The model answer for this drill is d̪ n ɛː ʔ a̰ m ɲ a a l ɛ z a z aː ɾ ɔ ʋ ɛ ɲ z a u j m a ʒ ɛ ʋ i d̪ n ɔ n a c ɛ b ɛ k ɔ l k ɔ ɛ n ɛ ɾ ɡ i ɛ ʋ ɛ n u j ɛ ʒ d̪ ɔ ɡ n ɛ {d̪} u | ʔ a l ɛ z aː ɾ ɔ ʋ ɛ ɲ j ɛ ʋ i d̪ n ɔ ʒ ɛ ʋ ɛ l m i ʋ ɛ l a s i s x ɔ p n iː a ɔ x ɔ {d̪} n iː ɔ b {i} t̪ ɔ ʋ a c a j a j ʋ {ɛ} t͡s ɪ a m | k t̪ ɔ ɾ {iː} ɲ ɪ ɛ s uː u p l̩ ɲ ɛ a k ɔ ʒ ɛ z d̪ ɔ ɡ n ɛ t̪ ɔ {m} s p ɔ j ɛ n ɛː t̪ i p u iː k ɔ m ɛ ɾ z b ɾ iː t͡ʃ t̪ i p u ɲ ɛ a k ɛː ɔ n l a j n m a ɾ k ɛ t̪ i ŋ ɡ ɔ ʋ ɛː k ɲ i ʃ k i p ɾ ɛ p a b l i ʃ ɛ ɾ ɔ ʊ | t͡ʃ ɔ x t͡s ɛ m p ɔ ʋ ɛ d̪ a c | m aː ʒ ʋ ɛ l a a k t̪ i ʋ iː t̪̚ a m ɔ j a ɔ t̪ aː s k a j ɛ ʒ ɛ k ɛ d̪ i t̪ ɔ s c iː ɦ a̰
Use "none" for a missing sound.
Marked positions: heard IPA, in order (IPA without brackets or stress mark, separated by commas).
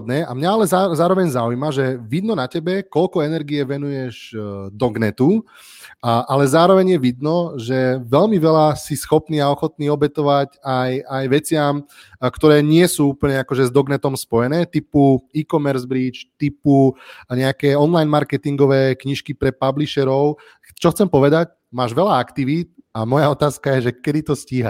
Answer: t̪, t̪, ɛ, ɛ, ɛː, m